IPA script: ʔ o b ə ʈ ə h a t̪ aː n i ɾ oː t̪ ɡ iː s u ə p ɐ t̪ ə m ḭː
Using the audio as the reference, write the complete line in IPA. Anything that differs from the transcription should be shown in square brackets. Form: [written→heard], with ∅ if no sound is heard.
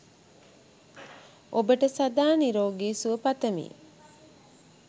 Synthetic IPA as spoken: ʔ o b ə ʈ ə [h→s] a [t̪→d̪] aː n i ɾ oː [t̪→∅] ɡ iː s u ə p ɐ t̪ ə m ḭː